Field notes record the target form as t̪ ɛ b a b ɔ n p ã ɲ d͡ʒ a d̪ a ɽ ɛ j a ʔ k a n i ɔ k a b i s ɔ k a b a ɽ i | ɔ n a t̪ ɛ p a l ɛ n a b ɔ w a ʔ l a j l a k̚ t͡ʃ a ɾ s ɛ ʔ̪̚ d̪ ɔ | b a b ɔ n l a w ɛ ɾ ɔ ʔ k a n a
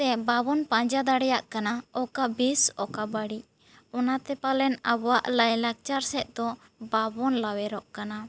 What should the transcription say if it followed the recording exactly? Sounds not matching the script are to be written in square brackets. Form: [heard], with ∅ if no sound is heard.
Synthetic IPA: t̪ ɛ b a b ɔ n p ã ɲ d͡ʒ a d̪ a ɽ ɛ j a ʔ k a n [a] ɔ k a b i s ɔ k a b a ɽ i | ɔ n a t̪ ɛ p a l ɛ n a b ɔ w a ʔ l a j l a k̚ t͡ʃ a ɾ s ɛ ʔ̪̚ d̪ ɔ | b a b ɔ n l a w ɛ ɾ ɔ ʔ k a n a

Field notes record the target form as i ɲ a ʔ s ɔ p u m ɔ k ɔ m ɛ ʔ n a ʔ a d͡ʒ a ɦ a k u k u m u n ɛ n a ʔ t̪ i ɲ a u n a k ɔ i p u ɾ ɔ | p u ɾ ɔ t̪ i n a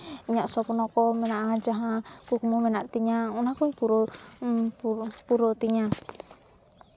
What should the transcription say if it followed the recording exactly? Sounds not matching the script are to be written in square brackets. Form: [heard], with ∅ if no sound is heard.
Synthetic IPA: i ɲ a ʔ s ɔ p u [n] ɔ k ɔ m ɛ [∅] n a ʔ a d͡ʒ a ɦ a k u k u m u [m] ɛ n a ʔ t̪ i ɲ a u n a k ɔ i p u ɾ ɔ | p u ɾ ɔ t̪ i [ɲ] a

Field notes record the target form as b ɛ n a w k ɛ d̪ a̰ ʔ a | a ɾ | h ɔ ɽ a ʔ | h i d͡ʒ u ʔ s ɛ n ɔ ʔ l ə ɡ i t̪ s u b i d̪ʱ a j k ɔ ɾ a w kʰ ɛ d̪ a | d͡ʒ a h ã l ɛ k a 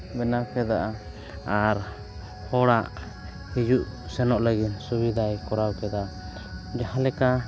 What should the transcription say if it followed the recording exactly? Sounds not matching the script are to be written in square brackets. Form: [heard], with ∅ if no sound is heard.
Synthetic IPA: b ɛ n a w k ɛ d̪ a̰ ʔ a | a ɾ | h ɔ ɽ a ʔ | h i d͡ʒ u ʔ s ɛ n ɔ ʔ l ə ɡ i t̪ s u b i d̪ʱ a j k ɔ ɾ a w [k] ɛ d̪ a | d͡ʒ a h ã l ɛ k a

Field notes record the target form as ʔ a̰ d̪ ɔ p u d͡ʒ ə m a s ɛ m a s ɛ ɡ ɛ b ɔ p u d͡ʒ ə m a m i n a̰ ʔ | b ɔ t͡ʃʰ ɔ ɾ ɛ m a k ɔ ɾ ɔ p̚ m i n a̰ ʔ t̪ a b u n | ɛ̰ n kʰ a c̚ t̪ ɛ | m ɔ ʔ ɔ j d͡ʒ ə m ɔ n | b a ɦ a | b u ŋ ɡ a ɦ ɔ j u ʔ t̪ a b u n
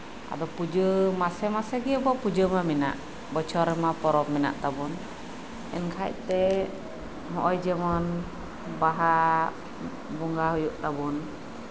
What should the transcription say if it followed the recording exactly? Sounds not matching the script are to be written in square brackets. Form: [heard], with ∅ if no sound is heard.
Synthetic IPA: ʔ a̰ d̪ ɔ p u d͡ʒ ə m a s ɛ m a s ɛ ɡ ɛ b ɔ p u d͡ʒ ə m a m i n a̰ ʔ | b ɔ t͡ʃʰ ɔ ɾ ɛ m a [p] ɔ ɾ ɔ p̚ m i n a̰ ʔ t̪ a b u n | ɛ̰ n kʰ a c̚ t̪ ɛ | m ɔ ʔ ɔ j d͡ʒ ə m ɔ n | b a ɦ a | b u ŋ ɡ a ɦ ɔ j u ʔ t̪ a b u n

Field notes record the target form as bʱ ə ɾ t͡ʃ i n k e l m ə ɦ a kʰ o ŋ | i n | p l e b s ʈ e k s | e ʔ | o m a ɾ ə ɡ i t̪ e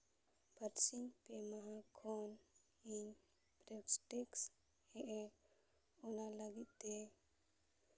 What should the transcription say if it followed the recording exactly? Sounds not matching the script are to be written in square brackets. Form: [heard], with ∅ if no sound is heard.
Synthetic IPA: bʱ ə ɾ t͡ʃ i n [p] e [∅] m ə ɦ a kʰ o [n] | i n | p [ɾ] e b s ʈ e k s | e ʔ | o [n] a [l] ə ɡ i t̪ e

